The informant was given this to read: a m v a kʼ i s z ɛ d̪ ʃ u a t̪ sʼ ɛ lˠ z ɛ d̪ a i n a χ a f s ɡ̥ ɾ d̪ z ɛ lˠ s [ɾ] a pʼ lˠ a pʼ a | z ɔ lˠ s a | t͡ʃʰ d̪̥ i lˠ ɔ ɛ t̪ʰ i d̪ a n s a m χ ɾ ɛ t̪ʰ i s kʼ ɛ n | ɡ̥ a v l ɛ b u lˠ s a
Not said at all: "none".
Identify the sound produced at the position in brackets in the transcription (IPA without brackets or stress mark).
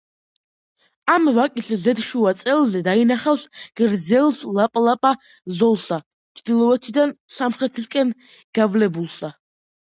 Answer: l